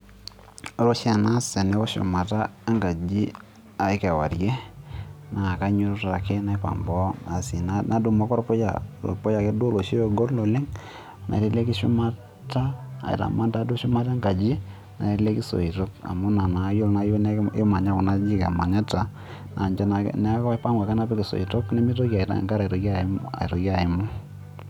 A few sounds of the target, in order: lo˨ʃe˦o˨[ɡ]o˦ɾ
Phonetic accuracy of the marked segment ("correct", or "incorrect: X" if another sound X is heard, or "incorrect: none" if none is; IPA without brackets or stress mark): correct